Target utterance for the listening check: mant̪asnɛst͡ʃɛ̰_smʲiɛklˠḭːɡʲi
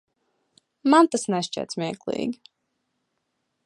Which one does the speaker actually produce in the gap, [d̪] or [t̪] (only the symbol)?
t̪